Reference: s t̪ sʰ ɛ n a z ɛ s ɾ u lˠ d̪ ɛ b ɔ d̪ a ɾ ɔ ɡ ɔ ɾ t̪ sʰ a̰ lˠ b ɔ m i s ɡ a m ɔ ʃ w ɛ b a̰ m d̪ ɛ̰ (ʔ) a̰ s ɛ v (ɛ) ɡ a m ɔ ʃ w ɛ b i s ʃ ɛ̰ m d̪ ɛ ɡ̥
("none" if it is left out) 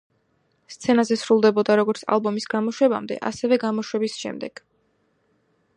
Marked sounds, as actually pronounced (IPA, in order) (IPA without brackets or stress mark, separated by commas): ʔ, ɛ